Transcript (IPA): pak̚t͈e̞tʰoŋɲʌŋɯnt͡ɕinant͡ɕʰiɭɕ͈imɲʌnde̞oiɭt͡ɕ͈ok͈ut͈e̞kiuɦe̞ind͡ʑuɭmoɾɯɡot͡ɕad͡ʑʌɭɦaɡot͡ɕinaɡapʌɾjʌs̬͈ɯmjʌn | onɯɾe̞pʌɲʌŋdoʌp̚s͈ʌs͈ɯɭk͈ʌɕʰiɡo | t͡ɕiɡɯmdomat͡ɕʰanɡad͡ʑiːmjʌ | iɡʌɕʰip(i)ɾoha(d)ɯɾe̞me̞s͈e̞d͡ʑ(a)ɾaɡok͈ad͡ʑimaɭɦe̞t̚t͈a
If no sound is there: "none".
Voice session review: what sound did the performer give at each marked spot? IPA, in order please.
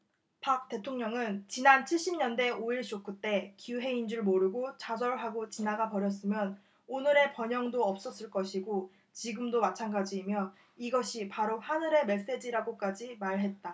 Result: a, n, i

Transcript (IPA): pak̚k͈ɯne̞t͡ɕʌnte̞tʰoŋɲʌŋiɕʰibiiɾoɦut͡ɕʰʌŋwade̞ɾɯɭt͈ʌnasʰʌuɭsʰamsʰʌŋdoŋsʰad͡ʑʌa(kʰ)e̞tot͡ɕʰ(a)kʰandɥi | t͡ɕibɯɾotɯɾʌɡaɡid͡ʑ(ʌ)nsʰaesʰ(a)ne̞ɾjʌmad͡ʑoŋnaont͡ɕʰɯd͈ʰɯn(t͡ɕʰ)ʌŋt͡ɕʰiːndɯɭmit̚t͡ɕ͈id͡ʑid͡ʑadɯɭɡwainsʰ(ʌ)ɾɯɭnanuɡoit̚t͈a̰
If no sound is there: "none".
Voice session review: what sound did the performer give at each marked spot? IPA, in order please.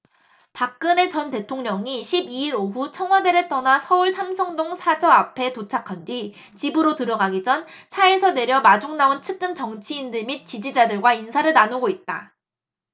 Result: pʰ, a, ʌ, ʌ, t͡ɕ, a

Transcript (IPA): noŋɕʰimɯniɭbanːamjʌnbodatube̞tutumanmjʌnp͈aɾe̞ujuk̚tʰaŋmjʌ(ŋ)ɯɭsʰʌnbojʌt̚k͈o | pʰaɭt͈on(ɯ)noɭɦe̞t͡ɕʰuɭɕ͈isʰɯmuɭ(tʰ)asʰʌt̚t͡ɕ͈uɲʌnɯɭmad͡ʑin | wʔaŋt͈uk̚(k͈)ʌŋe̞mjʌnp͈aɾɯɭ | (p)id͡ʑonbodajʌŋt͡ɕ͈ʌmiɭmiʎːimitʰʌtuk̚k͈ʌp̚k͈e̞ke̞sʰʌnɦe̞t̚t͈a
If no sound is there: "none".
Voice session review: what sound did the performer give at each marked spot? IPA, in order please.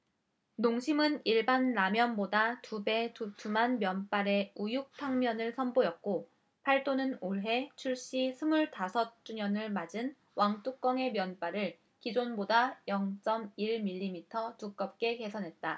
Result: n, ɯ, t, k͈, k

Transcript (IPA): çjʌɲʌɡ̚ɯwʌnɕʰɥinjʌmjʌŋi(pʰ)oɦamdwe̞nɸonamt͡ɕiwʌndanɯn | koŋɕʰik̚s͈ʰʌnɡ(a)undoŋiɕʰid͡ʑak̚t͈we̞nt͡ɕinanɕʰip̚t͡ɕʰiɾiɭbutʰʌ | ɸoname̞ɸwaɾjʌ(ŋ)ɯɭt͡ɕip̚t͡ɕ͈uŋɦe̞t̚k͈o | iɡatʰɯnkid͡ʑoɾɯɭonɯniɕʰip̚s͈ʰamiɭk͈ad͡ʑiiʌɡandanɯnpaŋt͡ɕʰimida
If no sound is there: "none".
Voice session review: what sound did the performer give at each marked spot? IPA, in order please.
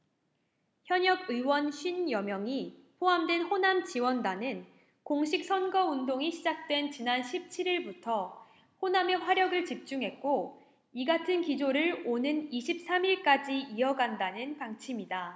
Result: pʰ, ʌ, ɡ

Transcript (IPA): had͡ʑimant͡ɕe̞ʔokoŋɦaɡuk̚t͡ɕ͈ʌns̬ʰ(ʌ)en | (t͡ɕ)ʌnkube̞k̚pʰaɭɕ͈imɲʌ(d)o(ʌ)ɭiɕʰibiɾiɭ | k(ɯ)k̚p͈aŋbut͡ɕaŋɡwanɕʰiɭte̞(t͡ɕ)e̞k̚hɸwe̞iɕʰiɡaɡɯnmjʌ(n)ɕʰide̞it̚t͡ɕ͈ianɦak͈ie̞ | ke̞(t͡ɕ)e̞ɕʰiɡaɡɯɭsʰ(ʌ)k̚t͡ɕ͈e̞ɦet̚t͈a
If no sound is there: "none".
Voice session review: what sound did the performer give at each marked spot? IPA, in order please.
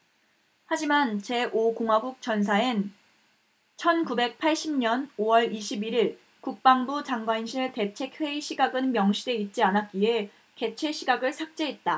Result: a, t͡ɕʰ, n, ʌ, u, t͡ɕʰ, ŋ, t͡ɕʰ, a

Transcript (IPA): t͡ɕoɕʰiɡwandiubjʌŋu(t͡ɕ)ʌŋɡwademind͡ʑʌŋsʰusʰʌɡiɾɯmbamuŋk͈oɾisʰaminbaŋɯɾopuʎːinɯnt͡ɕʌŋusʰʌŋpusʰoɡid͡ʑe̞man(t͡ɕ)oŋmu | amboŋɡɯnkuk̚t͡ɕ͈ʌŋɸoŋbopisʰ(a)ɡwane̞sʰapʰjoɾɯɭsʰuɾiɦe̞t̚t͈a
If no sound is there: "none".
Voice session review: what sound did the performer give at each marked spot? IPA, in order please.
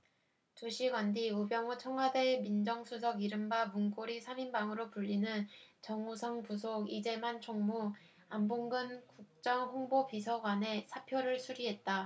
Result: t͡ɕʰ, t͡ɕʰ, ʌ

